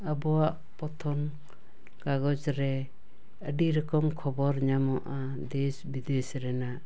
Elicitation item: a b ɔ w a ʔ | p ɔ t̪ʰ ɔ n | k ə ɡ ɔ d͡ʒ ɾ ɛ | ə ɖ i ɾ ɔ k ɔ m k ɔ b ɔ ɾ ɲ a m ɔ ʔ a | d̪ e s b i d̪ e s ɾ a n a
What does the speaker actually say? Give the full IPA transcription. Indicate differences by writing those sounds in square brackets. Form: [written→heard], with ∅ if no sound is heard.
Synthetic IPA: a b ɔ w a ʔ | p ɔ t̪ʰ ɔ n | k [ə→a] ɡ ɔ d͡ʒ ɾ ɛ | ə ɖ i ɾ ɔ k ɔ m [k→kʰ] ɔ b ɔ ɾ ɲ a m ɔ ʔ a | d̪ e s b i d̪ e s ɾ [a→ɛ] n a